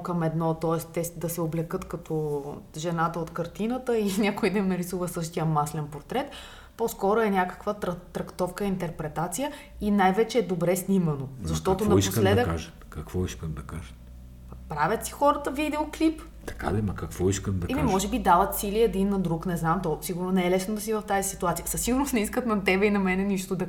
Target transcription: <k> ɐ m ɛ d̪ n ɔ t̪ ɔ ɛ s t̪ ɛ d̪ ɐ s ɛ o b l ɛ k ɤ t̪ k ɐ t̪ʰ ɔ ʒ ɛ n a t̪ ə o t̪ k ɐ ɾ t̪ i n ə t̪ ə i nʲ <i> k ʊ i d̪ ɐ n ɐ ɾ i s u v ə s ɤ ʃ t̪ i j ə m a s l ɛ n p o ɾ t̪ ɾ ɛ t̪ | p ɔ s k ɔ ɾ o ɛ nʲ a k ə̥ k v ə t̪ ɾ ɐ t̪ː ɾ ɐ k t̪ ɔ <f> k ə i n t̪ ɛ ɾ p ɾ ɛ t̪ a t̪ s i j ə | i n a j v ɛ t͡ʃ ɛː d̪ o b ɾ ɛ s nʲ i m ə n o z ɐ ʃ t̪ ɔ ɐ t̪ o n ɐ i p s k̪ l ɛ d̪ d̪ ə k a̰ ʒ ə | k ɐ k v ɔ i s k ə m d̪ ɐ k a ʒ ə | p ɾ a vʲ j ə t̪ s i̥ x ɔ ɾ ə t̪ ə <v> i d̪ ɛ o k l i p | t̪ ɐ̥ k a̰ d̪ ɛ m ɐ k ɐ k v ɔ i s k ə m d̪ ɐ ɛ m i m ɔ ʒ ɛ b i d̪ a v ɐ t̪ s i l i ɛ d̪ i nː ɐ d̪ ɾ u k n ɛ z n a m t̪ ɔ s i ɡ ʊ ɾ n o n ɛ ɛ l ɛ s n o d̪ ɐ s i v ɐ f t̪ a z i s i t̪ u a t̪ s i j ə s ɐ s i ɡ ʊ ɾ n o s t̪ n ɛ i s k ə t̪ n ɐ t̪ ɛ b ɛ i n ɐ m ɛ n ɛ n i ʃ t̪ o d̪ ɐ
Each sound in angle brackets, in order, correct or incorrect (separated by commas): correct, incorrect, correct, correct